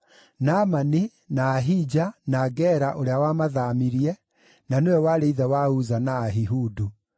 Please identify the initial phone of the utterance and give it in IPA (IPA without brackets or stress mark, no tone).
n